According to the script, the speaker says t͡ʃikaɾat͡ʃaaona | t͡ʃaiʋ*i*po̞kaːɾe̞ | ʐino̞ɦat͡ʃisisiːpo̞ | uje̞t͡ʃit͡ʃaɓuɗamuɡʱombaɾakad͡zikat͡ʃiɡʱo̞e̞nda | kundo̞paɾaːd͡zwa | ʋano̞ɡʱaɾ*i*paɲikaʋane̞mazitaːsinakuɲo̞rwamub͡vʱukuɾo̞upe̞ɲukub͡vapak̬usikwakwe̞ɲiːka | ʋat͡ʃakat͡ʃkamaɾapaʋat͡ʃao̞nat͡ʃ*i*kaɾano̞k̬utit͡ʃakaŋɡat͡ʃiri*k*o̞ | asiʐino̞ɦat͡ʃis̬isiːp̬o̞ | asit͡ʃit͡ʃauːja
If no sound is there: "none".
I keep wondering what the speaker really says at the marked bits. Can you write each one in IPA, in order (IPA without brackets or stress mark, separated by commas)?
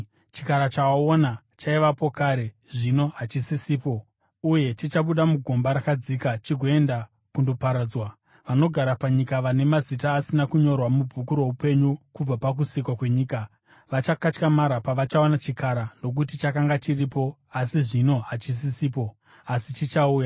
a, a, i, p